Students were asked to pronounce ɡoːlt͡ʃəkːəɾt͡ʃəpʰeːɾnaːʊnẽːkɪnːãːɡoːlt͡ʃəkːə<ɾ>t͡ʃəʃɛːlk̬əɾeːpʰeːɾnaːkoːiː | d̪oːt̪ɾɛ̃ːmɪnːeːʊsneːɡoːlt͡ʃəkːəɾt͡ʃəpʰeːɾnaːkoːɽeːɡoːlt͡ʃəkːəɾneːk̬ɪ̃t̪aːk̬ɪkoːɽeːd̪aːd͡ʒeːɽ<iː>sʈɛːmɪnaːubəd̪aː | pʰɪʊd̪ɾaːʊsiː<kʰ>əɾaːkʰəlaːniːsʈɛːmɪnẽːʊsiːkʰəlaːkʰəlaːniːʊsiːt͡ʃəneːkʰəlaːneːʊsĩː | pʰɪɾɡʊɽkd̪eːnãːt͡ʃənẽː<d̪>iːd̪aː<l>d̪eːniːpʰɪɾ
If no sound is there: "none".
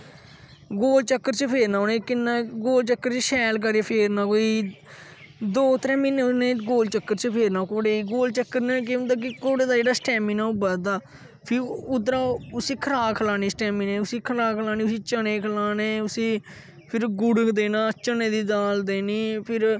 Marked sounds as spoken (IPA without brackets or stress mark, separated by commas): ɾ, aː, kʰ, d̪, l